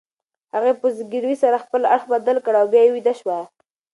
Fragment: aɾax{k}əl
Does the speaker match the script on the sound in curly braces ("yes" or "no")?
no